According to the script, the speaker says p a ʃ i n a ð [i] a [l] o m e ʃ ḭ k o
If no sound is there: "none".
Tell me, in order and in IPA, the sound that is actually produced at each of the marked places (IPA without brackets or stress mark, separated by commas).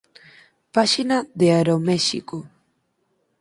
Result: e, ɾ